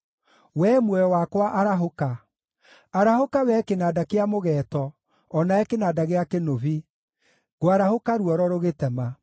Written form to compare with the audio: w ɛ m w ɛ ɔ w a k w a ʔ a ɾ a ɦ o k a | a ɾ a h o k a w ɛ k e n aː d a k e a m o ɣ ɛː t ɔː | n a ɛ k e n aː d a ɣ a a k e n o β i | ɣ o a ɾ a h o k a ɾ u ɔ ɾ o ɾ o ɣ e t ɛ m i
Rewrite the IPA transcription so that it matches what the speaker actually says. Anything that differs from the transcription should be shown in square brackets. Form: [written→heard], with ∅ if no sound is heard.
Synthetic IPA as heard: w ɛ m w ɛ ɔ w a k w a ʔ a ɾ a ɦ o k a | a ɾ a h o k a w ɛ k e n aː d a k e a m o ɣ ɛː t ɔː | n a ɛ k e n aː d a ɣ [a→e] a k e n o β i | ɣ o a ɾ a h o k a ɾ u ɔ ɾ [o→ɔ] ɾ o ɣ e t ɛ m [i→a]